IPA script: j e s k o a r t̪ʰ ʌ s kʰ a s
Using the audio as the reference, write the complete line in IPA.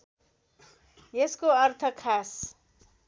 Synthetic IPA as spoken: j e s k o ʌ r t̪ʰ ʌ kʰ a s